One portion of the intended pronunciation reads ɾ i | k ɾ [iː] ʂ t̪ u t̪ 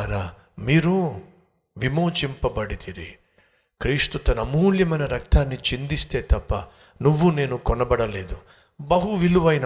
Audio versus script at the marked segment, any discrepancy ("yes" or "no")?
no